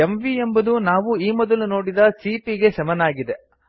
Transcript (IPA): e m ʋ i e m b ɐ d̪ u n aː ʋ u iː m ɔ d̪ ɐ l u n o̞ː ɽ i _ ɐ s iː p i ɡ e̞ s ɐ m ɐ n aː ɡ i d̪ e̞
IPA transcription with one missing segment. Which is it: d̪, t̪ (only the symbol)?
d̪